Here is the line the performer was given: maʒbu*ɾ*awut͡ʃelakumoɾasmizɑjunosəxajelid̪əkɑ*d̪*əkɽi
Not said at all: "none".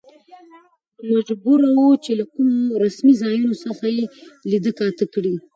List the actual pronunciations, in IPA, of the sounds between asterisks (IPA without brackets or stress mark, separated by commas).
ɾ, t̪